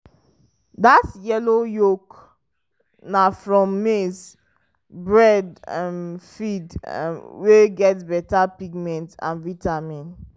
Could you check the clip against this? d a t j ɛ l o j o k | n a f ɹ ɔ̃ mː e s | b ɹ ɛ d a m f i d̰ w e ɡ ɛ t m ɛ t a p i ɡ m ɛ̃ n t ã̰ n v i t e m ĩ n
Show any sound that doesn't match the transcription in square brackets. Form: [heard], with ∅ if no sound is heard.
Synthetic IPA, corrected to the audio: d a t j ɛ l o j o k | n a f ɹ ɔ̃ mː e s | b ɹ ɛ d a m f i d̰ w e ɡ ɛ t [b] ɛ t a p i ɡ m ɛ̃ n t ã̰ n v i t [a] m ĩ n